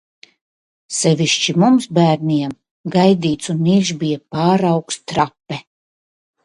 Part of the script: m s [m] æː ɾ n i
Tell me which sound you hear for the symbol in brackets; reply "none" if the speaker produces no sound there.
b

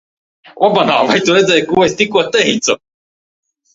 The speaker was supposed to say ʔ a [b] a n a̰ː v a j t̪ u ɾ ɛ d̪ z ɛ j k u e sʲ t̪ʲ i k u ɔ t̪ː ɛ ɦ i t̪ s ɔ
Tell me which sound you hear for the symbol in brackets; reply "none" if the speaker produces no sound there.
b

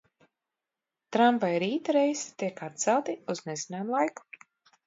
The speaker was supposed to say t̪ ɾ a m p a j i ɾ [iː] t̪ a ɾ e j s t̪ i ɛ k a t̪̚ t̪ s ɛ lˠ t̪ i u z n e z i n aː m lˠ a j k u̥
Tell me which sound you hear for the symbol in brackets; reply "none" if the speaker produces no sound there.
iː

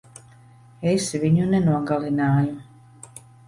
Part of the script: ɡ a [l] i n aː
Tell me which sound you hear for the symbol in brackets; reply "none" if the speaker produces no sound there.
l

